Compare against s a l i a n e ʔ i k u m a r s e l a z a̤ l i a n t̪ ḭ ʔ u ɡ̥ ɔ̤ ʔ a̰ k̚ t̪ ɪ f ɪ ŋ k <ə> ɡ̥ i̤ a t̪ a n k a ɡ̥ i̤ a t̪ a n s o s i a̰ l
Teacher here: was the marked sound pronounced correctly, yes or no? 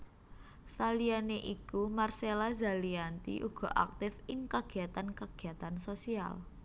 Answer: no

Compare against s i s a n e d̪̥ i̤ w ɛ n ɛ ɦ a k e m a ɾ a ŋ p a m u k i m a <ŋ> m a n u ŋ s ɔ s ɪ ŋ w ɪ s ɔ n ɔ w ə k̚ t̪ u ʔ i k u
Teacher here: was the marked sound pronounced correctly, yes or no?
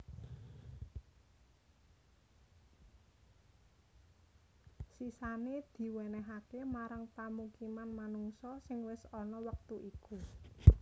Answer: no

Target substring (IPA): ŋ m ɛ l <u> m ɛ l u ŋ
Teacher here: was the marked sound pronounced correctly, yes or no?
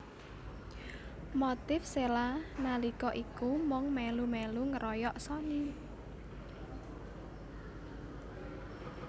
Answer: yes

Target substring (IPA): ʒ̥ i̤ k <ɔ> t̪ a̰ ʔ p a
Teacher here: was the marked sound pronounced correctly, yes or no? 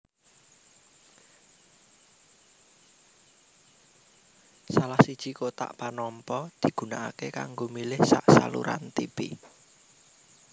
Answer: no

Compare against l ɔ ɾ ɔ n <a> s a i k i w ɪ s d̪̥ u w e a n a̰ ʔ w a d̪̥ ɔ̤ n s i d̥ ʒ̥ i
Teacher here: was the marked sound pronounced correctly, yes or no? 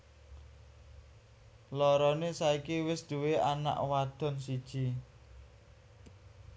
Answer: no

